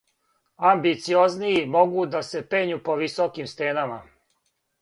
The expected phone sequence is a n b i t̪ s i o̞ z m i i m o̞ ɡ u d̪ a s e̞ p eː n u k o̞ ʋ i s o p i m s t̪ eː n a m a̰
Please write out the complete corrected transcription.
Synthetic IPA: a m b i t̪ s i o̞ z n i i m o̞ ɡ u d̪ a s e̞ p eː ɲ u p o̞ ʋ i s o k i m s t̪ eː n a m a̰